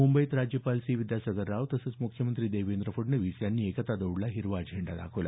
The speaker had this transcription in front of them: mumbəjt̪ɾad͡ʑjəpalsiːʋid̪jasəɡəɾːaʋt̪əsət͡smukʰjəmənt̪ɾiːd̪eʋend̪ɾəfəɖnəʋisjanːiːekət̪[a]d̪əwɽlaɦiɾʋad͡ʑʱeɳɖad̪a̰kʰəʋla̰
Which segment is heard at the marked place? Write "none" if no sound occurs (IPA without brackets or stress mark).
a